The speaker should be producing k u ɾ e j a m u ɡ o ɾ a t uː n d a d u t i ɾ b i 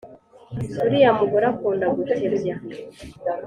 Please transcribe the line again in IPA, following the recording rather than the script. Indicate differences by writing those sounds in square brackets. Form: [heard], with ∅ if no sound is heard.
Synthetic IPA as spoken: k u ɾ [i] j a m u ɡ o ɾ a [k] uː n d a [ɡ] u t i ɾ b [a]